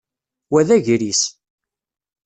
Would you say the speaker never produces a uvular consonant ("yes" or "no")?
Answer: yes